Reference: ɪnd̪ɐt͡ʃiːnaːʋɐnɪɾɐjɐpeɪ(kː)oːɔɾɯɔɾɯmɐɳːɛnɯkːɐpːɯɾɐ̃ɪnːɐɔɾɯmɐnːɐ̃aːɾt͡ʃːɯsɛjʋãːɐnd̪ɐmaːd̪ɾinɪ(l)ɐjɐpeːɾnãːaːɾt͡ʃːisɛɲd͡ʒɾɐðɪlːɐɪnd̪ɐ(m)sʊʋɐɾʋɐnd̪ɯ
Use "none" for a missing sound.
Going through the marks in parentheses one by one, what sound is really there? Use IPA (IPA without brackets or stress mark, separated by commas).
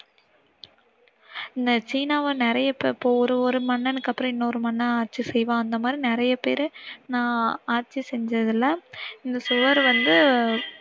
pː, ɾ, none